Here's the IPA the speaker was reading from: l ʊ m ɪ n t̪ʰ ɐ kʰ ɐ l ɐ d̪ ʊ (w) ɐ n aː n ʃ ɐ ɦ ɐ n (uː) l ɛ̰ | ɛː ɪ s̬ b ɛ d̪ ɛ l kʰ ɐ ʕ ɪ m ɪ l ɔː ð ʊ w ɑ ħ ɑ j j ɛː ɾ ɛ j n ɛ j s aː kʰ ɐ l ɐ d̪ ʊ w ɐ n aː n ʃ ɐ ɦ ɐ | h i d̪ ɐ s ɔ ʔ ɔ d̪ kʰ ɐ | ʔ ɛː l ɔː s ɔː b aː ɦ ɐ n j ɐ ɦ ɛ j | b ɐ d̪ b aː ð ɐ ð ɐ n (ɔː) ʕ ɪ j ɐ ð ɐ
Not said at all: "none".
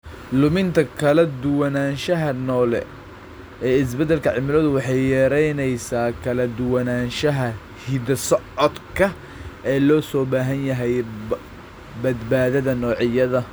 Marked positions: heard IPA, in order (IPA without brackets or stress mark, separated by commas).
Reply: w, ɔː, ɔː